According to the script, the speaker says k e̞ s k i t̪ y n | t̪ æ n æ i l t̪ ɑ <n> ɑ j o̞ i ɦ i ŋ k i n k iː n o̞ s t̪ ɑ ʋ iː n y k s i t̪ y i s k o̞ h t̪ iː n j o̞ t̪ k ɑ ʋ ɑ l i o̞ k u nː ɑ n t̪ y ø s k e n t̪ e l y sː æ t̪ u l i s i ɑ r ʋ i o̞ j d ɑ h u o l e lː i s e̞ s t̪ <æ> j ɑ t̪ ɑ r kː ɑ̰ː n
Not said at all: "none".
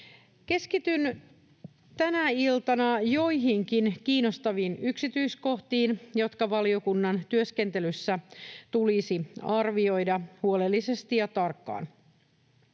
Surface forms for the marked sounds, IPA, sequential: n, i

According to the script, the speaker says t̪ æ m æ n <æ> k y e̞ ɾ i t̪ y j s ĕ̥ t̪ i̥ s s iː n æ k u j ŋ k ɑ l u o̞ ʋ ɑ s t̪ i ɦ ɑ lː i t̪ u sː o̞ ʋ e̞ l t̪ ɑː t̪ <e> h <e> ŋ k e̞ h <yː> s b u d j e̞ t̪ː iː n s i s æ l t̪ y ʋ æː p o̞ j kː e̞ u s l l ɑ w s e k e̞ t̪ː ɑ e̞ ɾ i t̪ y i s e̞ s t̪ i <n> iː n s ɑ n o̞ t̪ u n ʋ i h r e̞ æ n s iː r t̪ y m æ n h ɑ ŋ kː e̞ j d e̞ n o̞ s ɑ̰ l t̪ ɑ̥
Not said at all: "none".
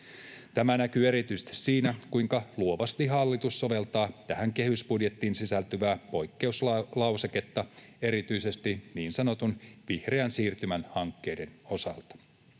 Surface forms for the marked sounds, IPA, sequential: æ, æ, æ, y, n

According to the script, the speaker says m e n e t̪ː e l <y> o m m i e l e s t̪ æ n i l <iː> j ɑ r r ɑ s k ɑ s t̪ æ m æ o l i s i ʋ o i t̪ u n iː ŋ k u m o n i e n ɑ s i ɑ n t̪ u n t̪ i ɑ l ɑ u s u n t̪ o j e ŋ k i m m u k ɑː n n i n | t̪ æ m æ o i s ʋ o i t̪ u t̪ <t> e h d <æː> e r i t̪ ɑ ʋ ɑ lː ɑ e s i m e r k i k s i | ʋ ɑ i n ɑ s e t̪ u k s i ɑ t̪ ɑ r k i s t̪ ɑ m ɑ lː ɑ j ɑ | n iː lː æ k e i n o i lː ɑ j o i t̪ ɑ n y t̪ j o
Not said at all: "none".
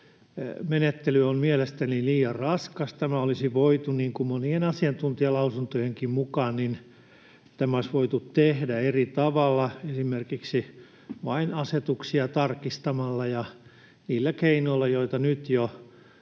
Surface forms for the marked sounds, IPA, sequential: y, iː, t, æ

